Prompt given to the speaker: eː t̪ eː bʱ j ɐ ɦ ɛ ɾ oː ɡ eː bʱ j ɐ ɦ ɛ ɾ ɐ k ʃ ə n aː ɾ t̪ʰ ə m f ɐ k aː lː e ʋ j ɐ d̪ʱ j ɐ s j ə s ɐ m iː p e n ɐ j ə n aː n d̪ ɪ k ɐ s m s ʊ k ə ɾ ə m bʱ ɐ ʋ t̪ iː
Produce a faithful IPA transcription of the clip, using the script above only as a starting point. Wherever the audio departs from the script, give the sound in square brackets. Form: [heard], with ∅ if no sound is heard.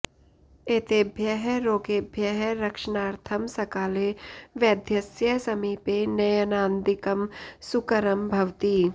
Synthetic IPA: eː t̪ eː bʱ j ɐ ɦ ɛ ɾ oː ɡ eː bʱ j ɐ ɦ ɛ ɾ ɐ k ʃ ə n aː ɾ t̪ʰ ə m [s] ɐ k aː [l] e ʋ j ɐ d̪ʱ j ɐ s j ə s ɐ m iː p e n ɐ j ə n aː n d̪ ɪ k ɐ [∅] m s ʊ k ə ɾ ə m bʱ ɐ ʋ t̪ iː